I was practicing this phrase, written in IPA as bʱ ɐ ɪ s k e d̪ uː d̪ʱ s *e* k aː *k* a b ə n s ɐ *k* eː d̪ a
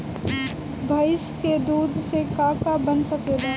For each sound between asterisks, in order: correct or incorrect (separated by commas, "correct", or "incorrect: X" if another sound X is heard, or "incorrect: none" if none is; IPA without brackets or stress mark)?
correct, correct, correct